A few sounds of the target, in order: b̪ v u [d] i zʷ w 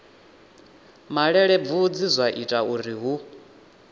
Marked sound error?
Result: yes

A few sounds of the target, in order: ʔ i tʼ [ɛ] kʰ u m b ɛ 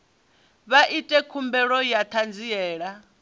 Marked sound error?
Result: no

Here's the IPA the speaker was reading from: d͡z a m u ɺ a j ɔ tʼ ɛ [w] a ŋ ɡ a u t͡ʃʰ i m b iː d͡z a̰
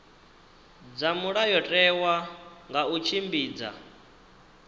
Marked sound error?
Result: no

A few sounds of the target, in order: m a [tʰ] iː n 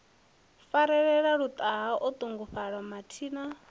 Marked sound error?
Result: no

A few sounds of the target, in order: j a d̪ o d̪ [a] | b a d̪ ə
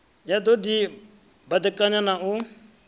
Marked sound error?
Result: yes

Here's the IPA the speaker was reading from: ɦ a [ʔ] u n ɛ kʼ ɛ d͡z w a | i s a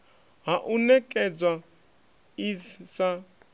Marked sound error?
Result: no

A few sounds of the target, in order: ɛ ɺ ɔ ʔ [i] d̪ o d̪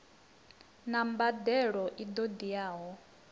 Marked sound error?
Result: no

